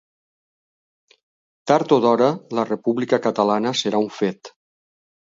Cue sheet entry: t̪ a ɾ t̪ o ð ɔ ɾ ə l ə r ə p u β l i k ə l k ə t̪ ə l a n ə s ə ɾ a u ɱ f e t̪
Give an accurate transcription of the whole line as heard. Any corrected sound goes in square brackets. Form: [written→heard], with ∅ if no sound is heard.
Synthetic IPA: t̪ a ɾ t̪ o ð ɔ ɾ ə l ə r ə p u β l i k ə [l→∅] k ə t̪ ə l a n ə s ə ɾ a u ɱ f e t̪